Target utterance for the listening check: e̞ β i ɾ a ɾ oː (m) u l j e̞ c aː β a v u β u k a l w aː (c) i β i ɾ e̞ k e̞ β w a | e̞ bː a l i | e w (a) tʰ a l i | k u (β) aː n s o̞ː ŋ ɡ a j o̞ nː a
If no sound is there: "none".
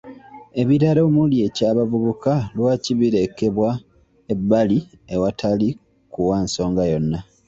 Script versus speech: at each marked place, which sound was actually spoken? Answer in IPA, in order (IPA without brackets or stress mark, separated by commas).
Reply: m, c, a, w